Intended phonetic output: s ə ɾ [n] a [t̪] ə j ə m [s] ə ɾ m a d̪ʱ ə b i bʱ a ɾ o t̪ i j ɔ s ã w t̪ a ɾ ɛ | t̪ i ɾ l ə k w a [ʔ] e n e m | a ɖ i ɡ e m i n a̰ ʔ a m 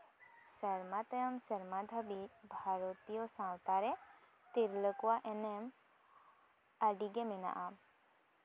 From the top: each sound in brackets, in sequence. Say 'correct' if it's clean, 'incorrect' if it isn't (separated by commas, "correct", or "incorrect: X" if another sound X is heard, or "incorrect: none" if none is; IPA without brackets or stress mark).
incorrect: m, correct, correct, correct